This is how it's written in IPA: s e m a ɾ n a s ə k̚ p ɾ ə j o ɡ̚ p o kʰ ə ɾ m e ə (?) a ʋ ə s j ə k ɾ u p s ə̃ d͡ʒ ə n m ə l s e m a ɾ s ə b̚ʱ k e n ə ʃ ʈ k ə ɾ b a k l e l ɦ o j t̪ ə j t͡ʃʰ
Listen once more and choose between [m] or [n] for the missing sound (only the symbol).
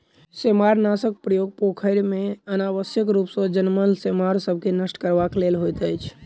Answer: n